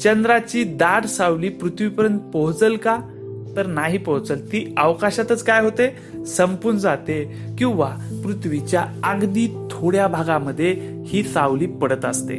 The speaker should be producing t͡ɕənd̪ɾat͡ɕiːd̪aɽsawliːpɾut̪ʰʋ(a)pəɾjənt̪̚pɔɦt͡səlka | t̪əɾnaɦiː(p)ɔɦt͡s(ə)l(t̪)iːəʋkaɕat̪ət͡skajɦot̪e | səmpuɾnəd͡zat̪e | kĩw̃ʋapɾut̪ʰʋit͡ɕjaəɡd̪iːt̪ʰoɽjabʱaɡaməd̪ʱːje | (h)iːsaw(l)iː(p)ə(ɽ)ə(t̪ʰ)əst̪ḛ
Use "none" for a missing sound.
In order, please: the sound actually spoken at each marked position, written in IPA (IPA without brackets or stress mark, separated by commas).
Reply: i, p, ə, t̪, h, l, p, ɽ, t̪